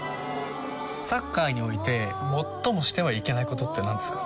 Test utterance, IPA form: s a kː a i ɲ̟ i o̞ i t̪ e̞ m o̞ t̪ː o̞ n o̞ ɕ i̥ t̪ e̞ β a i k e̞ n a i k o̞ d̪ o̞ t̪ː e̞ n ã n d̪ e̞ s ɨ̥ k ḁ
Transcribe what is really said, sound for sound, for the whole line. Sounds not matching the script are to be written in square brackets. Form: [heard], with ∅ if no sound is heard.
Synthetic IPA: s a kː a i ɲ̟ i o̞ i t̪ e̞ m o̞ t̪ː o̞ [m] o̞ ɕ i̥ t̪ e̞ β a i k e̞ n a i k o̞ [t̪] o̞ t̪ː e̞ n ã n d̪ e̞ s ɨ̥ k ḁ

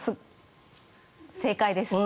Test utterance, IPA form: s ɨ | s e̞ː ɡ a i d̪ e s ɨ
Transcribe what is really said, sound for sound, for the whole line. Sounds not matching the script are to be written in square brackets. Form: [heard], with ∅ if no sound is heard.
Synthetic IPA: s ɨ | s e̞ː [k] a i d̪ e s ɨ

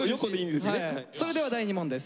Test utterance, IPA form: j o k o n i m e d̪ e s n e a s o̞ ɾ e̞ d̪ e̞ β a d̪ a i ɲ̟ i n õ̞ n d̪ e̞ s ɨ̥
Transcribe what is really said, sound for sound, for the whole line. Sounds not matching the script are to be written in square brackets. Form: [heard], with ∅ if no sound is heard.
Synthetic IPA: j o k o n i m [i] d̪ e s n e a s o̞ ɾ e̞ d̪ e̞ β a d̪ a i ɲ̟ i [m] õ̞ n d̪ e̞ s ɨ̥

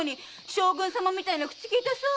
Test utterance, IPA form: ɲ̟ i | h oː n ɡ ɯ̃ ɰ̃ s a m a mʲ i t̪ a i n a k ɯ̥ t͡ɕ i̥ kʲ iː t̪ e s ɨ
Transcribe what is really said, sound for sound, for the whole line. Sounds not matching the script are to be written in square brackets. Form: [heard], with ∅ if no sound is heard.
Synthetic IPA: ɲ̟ i | [ɕ] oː [∅] ɡ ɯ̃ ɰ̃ s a m a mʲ i t̪ a i n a k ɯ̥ t͡ɕ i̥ kʲ iː t̪ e s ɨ

